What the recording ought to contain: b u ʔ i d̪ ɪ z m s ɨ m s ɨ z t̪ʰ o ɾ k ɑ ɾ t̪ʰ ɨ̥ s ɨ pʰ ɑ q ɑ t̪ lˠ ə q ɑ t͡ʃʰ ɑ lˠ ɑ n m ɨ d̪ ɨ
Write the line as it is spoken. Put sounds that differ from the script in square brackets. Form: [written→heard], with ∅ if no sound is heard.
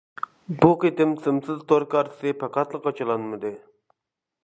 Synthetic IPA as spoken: b u [ʔ→q] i [d̪→t̪] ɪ [z→∅] m s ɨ m s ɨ z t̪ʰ o ɾ k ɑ ɾ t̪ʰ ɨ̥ s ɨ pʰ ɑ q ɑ t̪ lˠ ə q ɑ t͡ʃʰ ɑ lˠ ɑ n m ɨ d̪ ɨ